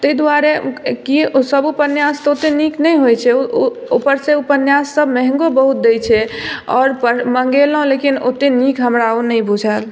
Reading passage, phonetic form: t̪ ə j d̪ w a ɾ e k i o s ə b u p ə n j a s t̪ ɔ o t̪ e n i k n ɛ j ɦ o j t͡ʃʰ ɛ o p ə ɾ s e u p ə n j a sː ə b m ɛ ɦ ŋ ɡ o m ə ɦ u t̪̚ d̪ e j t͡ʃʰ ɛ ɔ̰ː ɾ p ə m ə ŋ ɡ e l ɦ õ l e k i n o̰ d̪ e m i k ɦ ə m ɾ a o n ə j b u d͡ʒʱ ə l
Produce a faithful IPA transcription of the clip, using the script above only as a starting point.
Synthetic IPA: t̪ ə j d̪ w a ɾ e k i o s ə b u p ə n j a s t̪ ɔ o t̪ e n i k n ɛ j ɦ o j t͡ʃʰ ɛ o p ə ɾ s e u p ə n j a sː ə b m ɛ ɦ ŋ ɡ o b ə ɦ u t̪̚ d̪ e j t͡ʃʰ ɛ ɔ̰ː ɾ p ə m ə ŋ ɡ e l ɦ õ l e k i n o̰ t̪ e n i k ɦ ə m ɾ a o n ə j b u d͡ʒʱ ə l